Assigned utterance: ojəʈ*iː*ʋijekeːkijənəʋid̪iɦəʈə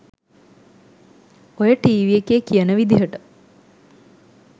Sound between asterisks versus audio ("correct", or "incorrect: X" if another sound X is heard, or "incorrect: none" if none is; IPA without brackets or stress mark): correct